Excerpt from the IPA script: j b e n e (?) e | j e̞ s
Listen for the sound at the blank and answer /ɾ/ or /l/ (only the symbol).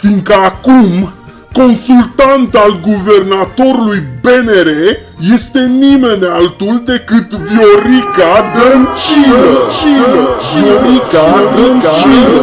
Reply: ɾ